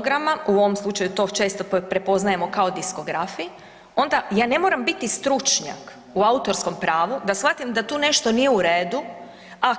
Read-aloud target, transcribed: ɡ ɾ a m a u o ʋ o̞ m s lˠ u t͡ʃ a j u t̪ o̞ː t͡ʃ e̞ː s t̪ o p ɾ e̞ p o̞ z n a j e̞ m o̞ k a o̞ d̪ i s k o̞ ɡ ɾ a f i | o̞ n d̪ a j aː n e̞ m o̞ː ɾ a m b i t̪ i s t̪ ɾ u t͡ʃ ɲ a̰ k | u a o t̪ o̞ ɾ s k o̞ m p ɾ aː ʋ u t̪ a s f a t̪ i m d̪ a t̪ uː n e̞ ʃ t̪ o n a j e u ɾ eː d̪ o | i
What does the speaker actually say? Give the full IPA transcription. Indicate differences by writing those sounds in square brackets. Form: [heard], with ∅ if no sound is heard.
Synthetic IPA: ɡ ɾ a m a u o ʋ o̞ m s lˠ u t͡ʃ a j u t̪ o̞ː t͡ʃ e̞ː s t̪ o p ɾ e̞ p o̞ z n a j e̞ m o̞ k a o̞ d̪ i s k o̞ ɡ ɾ a f i | o̞ n d̪ a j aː n e̞ m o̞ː ɾ a m b i t̪ i s t̪ ɾ u t͡ʃ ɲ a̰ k | u a [u] t̪ o̞ ɾ s k o̞ m p ɾ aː ʋ u [d̪] a s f a t̪ i m d̪ a t̪ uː n e̞ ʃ t̪ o n [i] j e u ɾ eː d̪ [u] | [a]